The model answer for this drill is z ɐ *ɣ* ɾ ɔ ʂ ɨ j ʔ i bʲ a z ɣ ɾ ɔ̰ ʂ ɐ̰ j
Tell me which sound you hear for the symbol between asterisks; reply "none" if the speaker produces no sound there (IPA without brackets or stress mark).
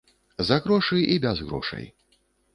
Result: ɣ